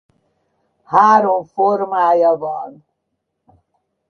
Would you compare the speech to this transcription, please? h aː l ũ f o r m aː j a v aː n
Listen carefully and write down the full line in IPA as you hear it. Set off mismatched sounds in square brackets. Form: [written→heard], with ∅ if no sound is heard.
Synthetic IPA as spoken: h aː [l→ɾ] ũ f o [r→ɾ] m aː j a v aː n